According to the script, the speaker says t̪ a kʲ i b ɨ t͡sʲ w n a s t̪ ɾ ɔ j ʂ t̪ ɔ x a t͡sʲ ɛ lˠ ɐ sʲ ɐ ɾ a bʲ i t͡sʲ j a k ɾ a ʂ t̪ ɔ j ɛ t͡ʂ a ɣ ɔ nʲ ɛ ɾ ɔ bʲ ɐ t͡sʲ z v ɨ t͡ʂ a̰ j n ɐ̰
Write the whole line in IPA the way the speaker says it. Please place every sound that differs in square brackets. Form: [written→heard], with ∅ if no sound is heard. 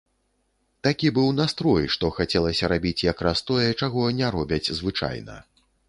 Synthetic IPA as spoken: t̪ a kʲ i b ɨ [t͡sʲ→∅] w n a s t̪ ɾ ɔ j ʂ t̪ ɔ x a t͡sʲ ɛ lˠ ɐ sʲ ɐ ɾ a bʲ i t͡sʲ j a k ɾ a [ʂ→s] t̪ ɔ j ɛ t͡ʂ a ɣ ɔ nʲ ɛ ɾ ɔ bʲ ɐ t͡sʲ z v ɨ t͡ʂ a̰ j n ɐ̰